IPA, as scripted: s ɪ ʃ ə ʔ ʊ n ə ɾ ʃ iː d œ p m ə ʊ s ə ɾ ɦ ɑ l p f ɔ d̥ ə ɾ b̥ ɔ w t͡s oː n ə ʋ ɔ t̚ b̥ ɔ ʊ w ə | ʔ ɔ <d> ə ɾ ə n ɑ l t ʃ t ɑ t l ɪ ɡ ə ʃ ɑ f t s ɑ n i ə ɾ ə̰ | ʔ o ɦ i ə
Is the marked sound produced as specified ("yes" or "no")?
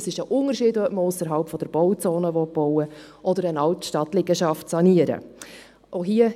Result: yes